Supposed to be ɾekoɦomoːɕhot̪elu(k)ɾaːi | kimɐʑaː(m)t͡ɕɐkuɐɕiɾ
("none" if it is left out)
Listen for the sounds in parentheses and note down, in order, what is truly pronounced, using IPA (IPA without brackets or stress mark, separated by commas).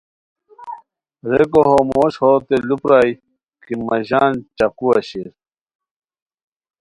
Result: p, n